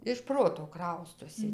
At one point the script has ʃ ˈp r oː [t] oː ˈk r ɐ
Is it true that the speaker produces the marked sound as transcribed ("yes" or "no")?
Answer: yes